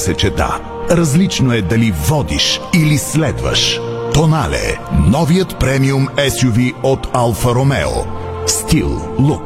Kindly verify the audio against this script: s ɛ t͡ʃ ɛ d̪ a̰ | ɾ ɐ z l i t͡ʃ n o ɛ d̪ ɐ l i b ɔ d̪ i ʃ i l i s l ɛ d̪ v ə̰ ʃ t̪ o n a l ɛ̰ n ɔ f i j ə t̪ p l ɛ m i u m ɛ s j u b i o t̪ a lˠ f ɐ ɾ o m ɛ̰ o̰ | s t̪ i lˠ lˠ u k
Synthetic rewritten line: s ɛ t͡ʃ ɛ d̪ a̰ | ɾ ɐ z l i t͡ʃ n o ɛ d̪ ɐ l i v ɔ d̪ i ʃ i l i s l ɛ d̪ v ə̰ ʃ t̪ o n a l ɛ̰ n ɔ v i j ə t̪ p ɾ ɛ m i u m ɛ s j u v i o t̪ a lˠ f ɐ ɾ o m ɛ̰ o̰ | s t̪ i lˠ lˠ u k